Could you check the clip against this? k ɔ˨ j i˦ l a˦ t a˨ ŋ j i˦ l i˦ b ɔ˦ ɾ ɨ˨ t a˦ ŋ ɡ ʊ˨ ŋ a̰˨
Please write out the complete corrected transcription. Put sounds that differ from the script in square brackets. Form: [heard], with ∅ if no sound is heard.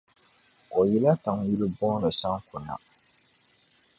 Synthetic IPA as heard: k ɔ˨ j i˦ l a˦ t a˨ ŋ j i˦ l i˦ b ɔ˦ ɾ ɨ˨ [s] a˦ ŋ [k] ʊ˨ [n] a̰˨